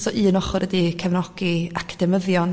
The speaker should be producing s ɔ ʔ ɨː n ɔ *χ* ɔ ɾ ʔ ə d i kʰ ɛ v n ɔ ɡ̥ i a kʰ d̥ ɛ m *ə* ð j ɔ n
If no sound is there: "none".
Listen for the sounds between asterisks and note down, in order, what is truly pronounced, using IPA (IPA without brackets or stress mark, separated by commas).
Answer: χ, ə